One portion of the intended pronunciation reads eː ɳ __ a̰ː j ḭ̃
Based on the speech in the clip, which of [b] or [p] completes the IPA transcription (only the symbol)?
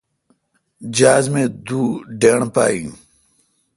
p